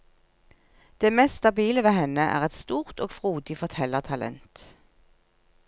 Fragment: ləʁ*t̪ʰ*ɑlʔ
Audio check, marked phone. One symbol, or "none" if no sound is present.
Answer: t̪ʰ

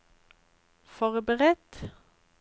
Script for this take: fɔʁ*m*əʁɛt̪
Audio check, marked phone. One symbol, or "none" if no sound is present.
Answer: b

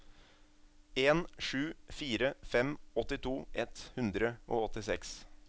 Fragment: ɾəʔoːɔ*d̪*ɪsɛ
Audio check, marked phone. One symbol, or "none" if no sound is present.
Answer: t̪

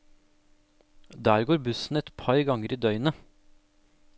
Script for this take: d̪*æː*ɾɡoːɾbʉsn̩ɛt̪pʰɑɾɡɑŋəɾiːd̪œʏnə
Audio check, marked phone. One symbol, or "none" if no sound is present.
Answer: æː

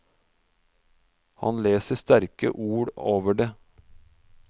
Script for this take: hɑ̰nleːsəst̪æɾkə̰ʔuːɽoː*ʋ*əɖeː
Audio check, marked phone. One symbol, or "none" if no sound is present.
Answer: ʋ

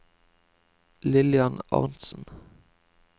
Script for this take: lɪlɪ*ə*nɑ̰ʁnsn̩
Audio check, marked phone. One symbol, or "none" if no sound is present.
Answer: ɑ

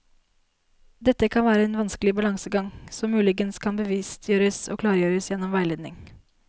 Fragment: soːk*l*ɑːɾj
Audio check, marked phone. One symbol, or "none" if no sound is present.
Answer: l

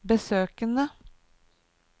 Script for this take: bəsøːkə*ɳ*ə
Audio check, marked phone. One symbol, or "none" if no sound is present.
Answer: n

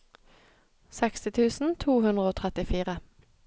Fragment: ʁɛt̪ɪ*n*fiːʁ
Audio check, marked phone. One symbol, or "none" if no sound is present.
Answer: none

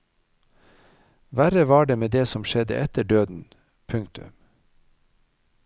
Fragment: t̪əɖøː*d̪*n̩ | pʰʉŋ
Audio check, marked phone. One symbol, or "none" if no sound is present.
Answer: d̪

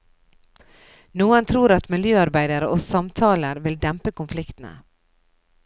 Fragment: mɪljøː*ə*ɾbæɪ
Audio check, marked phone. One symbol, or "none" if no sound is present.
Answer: ɑ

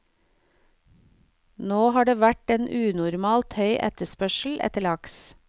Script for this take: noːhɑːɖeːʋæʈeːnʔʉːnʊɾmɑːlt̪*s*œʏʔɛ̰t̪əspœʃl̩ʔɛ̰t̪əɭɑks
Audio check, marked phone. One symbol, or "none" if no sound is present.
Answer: h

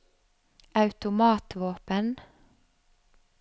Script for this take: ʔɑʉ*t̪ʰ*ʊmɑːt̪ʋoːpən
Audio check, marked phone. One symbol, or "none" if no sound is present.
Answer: t̪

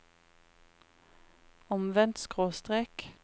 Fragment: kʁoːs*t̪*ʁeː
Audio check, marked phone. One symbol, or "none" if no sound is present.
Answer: t̪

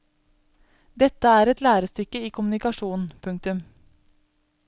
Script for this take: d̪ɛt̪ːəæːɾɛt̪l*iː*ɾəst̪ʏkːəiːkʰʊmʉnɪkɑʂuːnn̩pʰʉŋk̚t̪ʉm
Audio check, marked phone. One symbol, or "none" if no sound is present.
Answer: æː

